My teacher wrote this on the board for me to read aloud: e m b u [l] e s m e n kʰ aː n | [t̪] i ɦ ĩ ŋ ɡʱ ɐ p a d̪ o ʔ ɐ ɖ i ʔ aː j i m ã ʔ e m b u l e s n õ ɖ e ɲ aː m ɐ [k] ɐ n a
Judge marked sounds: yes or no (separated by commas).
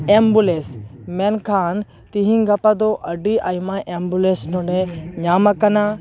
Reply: yes, yes, yes